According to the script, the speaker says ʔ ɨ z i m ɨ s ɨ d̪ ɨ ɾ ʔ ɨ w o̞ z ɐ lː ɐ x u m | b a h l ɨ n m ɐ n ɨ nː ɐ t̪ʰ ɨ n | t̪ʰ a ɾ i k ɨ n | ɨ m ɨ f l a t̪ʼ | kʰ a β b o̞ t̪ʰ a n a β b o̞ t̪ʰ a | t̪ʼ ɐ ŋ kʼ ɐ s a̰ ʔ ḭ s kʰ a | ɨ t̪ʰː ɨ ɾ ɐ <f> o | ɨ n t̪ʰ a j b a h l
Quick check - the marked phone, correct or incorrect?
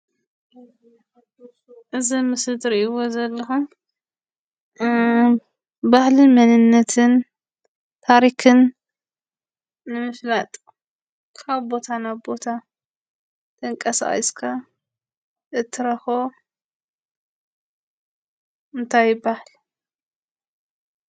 incorrect